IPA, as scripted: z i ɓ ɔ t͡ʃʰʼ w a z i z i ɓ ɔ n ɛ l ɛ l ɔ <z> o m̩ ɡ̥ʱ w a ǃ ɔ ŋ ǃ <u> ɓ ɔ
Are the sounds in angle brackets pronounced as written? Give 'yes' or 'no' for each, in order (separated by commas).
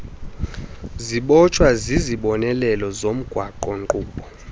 yes, no